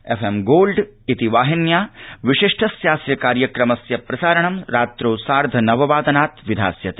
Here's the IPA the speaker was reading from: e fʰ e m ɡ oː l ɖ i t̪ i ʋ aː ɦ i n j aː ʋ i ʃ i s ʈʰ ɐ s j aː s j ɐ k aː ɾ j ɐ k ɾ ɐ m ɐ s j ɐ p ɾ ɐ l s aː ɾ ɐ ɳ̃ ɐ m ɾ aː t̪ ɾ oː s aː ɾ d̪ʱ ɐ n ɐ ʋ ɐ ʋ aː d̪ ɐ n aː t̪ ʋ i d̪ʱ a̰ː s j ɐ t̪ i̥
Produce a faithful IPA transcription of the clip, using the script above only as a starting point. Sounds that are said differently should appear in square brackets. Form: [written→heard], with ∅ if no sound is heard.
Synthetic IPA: e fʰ e m ɡ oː l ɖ i t̪ i ʋ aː ɦ i n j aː ʋ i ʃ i [s→ʂ] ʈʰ ɐ s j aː s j ɐ k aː ɾ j ɐ k ɾ ɐ m ɐ s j ɐ p ɾ ɐ [l→∅] s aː ɾ ɐ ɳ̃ ɐ m ɾ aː t̪ ɾ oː s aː ɾ d̪ʱ ɐ n ɐ ʋ ɐ ʋ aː d̪ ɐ n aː t̪ ʋ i d̪ʱ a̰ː s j ɐ t̪ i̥